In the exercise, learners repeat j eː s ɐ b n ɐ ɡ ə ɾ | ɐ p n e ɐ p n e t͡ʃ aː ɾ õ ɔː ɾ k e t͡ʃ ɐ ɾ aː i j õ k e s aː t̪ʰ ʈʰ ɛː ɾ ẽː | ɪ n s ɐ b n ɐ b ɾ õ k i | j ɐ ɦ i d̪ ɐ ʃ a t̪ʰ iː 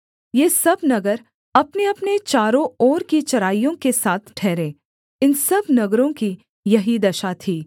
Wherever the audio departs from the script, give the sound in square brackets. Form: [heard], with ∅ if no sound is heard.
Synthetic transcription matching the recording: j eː s ɐ b n ɐ ɡ ə ɾ | ɐ p n e ɐ p n e t͡ʃ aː ɾ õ ɔː ɾ k [i] t͡ʃ ɐ ɾ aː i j õ k e s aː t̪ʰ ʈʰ ɛː ɾ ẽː | ɪ n s ɐ b n ɐ [ɡ] ɾ õ k i | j ɐ ɦ i d̪ ɐ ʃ a t̪ʰ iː